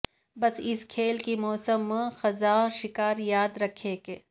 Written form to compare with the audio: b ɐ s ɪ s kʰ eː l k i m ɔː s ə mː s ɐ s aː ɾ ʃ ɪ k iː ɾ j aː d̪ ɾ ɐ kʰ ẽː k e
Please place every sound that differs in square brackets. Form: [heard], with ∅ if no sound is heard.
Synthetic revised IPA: b ɐ s ɪ s kʰ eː l k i m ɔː s ə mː [x] ɐ [z] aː ɾ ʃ ɪ k [aː] ɾ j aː d̪ ɾ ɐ kʰ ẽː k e